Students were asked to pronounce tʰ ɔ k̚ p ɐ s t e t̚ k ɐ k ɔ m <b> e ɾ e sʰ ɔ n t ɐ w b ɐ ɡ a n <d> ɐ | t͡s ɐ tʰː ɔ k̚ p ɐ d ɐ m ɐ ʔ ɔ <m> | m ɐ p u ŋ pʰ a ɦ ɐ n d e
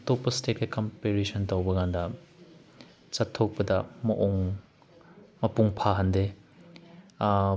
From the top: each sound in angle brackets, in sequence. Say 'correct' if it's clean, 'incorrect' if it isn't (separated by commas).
incorrect, correct, incorrect